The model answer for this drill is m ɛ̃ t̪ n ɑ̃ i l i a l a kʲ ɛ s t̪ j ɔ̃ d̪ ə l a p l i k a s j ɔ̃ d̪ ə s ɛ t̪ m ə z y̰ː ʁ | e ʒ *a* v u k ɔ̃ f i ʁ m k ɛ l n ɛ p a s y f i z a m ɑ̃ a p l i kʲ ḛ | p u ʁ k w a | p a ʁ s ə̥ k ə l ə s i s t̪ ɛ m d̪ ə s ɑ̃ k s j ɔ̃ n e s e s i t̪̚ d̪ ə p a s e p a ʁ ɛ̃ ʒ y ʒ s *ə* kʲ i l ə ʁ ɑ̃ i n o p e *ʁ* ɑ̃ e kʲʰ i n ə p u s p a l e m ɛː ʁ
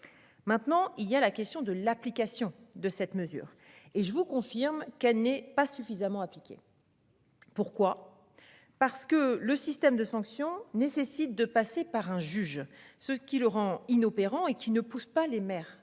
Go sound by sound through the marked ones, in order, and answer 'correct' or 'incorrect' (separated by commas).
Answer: incorrect, correct, correct